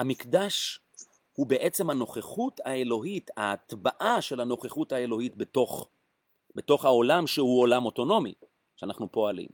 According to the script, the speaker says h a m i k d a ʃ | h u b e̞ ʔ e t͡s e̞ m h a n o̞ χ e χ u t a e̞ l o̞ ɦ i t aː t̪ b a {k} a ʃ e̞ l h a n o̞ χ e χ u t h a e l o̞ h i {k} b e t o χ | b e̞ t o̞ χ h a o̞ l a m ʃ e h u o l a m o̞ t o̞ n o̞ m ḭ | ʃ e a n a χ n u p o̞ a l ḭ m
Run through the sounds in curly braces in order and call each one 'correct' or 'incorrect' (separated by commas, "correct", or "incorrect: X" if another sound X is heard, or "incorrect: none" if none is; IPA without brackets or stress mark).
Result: incorrect: ʔ, incorrect: t